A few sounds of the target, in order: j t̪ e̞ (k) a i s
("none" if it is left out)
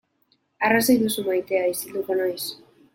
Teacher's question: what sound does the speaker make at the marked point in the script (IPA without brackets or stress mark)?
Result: none